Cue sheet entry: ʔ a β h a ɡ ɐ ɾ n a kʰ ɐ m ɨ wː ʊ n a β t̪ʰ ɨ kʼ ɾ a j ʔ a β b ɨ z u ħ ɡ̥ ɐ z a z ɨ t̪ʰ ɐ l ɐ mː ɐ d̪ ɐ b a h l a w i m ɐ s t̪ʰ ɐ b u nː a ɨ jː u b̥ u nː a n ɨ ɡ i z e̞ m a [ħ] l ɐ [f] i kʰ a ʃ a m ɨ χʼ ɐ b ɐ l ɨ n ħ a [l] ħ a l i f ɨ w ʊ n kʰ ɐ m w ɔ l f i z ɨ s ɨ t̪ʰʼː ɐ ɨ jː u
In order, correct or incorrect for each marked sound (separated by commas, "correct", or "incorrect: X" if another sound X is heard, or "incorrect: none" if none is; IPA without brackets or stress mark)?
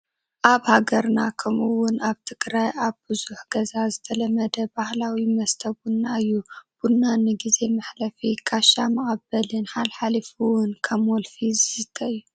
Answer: correct, correct, correct